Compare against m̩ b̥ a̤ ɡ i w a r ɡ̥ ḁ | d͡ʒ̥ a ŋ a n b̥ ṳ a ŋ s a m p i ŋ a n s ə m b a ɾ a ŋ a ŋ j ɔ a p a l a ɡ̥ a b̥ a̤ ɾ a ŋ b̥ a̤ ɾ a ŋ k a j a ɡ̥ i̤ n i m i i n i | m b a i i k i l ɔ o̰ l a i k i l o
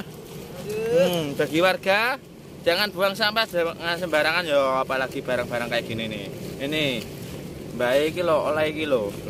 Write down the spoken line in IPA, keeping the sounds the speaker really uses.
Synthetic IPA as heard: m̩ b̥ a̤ ɡ i w a r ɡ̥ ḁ | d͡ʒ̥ a ŋ a n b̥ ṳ a ŋ s a m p a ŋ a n s ə m b a ɾ a ŋ a n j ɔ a p a l a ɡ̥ i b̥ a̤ ɾ a ŋ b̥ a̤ ɾ a ŋ k a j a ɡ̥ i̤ n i n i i n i | m b a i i k i l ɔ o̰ l a i k i l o

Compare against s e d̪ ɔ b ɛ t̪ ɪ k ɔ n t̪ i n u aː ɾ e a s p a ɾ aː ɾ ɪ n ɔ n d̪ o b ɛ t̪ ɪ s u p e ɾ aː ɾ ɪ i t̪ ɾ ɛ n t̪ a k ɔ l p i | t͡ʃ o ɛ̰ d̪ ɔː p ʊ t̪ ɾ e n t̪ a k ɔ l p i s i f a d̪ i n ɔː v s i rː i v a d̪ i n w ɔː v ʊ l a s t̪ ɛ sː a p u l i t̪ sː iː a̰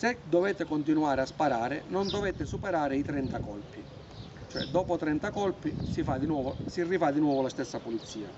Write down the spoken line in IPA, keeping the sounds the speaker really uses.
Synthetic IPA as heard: s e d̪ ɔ v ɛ t̪ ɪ k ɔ n t̪ i n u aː ɾ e a s p a ɾ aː ɾ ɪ n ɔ n d̪ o v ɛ t̪ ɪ s u p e ɾ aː ɾ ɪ i t̪ ɾ ɛ n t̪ a k ɔ l p i | t͡ʃ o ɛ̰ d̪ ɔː p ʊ t̪ ɾ ɛ n t̪ a k ɔ l p i s i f a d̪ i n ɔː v s i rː i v a d̪ i n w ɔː v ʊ l a s t̪ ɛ sː a p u l i t̪ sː iː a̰

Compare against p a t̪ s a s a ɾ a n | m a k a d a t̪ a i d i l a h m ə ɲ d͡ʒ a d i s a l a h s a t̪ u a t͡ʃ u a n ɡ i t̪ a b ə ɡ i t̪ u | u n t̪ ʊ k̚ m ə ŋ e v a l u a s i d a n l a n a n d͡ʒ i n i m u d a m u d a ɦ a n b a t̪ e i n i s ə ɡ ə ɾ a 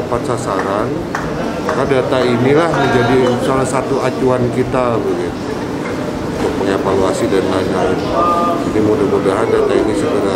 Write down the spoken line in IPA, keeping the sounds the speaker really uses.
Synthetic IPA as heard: p a t̪ s a s a ɾ a n | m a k a d a t̪ a i n i l a h m ə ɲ d͡ʒ a d i s a l a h s a t̪ u a t͡ʃ u a n k i t̪ a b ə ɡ i t̪ u | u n t̪ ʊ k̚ m ə ŋ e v a l u a s i d a n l a n a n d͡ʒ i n i m u d a m u d a ɦ a n d a t̪ a i n i s ə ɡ ə ɾ a

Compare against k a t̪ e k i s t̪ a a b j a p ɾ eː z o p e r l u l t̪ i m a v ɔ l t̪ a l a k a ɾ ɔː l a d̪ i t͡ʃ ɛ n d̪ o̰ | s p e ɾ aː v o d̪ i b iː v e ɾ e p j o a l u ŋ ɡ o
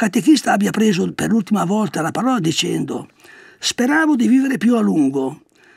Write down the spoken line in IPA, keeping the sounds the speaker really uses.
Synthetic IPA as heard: k a t̪ e k i s t̪ a a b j a p ɾ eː z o p e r l u l t̪ i m a v ɔ l t̪ a l a p a ɾ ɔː l a d̪ i t͡ʃ ɛ n d̪ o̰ | s p e ɾ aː v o d̪ i v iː v e ɾ e p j u a l u ŋ ɡ o

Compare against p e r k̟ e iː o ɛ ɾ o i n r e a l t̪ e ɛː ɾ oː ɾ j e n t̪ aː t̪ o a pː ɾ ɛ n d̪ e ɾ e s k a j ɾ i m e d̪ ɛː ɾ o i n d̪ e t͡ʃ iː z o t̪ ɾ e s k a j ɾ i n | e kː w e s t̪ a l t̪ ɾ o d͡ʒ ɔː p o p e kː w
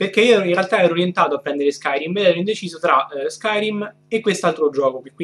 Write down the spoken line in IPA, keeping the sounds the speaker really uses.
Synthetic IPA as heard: p e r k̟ e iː o ɛ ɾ o i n r e a l t̪ a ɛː ɾ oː ɾ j e n t̪ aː t̪ o a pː ɾ ɛ n d̪ e ɾ e s k a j ɾ i m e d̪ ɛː ɾ o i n d̪ e t͡ʃ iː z o t̪ ɾ a s k a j ɾ i m | e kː w e s t̪ a l t̪ ɾ o d͡ʒ ɔː k o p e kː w

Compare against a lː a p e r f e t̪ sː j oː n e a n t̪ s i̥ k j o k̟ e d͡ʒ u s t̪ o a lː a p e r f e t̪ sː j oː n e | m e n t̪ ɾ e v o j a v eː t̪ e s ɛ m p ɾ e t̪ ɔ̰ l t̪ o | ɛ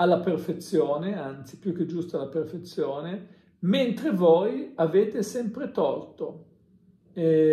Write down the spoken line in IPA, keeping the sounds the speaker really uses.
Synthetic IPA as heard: a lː a p e r f e t̪ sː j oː n e a n t̪ s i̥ p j u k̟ e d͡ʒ u s t̪ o a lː a p e r f e t̪ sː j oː n e | m e n t̪ ɾ e v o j a v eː t̪ e s ɛ m p ɾ e t̪ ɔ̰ l t̪ o | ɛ

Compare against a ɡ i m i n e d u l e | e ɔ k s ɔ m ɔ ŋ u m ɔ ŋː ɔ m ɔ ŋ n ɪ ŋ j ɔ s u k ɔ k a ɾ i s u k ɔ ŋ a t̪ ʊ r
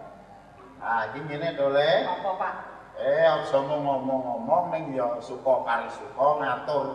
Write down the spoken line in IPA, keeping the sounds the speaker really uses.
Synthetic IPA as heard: a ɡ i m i n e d o l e | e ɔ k s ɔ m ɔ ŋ ɔ m ɔ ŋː ɔ m ɔ ŋ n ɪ ŋ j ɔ s u k ɔ k a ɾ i s u k ɔ ŋ a t̪ ʊ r

